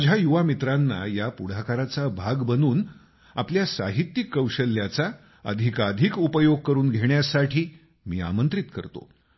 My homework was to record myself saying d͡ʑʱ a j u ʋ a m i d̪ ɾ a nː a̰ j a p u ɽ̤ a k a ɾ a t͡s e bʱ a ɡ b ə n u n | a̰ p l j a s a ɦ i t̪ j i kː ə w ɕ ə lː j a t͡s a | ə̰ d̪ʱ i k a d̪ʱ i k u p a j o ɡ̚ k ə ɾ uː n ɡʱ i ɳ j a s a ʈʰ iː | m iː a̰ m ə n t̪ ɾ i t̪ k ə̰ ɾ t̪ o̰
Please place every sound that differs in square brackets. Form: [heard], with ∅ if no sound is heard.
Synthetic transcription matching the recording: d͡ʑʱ a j u ʋ a m i [t̪] ɾ a nː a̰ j a p u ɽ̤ a k a ɾ a t͡s [a] bʱ a ɡ b ə n [uː] n | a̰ p l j a s a ɦ i t̪ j i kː ə w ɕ ə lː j a t͡s a | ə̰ d̪ʱ i k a d̪ʱ i k u p [ə] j o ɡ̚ k ə ɾ uː n ɡʱ [e] ɳ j a s a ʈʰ iː | m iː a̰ m ə n t̪ ɾ i t̪ k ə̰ ɾ t̪ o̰